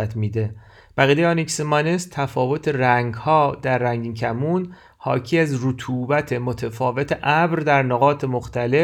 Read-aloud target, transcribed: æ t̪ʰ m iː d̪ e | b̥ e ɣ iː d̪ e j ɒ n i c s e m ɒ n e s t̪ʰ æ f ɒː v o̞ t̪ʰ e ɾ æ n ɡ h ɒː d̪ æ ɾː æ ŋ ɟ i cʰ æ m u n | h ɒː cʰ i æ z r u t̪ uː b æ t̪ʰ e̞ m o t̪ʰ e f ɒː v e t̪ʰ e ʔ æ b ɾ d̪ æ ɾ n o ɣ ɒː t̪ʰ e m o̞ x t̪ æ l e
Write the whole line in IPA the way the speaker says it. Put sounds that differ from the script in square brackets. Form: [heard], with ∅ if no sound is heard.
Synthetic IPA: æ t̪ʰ m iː d̪ e | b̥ [æ] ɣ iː d̪ e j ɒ n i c s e m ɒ n e s t̪ʰ æ f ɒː v o̞ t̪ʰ e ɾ æ [ŋ] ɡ h ɒː d̪ æ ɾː æ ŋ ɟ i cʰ æ m u n | h ɒː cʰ i æ z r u [t̪ʰ] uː b æ t̪ʰ e̞ m o t̪ʰ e f ɒː v e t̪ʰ e ʔ æ b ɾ d̪ æ ɾ n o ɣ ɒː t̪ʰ e m o̞ x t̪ æ l e